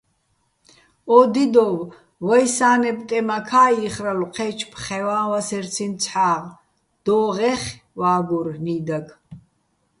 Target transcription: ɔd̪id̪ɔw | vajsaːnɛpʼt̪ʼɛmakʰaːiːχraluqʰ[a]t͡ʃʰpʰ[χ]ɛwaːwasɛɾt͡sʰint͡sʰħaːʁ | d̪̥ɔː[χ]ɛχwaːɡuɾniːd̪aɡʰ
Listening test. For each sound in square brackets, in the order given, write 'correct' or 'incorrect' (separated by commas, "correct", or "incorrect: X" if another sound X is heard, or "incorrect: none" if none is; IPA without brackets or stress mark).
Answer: incorrect: ɛ, correct, incorrect: ʁ